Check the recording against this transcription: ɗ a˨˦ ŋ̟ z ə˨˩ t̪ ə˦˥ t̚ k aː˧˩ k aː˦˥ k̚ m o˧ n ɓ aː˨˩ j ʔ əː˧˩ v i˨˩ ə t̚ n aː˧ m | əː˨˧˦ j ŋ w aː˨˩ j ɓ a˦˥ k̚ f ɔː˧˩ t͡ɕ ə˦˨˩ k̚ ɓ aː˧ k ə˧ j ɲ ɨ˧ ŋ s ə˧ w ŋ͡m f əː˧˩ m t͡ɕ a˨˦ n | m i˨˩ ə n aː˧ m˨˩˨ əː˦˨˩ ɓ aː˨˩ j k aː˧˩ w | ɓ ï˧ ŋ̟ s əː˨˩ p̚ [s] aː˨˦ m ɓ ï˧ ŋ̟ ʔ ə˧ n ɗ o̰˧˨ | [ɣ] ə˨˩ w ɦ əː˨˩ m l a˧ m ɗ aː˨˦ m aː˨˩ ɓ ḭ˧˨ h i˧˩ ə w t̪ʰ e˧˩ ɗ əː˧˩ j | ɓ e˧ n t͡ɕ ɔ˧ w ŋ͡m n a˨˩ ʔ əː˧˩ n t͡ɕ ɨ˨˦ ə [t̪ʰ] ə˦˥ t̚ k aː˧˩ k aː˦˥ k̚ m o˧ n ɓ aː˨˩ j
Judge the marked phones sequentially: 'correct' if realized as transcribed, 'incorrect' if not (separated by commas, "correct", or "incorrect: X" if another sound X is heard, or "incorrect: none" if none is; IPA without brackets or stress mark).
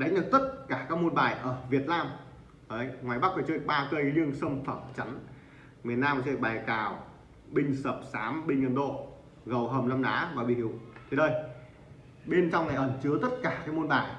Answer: correct, correct, incorrect: t̪